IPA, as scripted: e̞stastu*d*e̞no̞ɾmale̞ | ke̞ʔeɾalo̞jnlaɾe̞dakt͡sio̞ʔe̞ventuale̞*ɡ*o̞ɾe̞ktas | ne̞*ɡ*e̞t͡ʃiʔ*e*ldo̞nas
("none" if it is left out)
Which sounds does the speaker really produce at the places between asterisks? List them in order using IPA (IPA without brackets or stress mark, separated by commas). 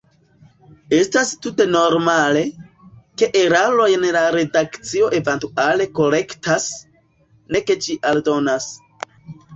t, k, k, a